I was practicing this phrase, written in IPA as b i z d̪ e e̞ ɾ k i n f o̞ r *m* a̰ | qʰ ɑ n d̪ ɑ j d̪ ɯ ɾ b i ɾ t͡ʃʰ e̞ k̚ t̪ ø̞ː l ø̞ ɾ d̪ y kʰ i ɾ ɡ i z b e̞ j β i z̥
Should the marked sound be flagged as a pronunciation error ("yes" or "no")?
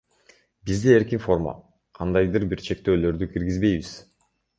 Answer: no